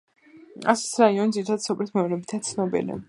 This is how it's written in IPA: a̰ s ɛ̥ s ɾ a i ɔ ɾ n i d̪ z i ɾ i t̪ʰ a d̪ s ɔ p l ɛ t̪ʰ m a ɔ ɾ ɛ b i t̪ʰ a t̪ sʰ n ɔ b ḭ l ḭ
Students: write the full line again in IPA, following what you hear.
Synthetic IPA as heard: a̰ s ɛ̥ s ɾ a i ɔ n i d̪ z i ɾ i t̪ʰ a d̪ s ɔ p l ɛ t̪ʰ m ɛ ɔ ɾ ɛ b i t̪ʰ a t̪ sʰ n ɔ b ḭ l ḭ